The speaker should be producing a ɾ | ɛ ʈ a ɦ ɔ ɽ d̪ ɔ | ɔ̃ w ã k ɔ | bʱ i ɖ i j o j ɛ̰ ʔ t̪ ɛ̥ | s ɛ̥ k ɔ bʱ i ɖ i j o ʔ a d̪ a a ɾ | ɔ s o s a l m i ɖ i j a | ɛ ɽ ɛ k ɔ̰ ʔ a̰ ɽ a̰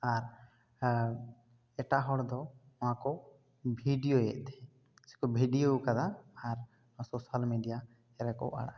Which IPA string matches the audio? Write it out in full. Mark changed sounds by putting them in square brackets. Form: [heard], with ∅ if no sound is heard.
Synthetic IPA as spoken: a ɾ | ɛ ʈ a ɦ ɔ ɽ d̪ ɔ | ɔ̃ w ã k ɔ | bʱ i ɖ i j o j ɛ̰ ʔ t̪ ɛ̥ | s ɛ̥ k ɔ bʱ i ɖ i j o [k] a d̪ a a ɾ | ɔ s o s a l m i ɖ i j a | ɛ [ɾ] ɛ k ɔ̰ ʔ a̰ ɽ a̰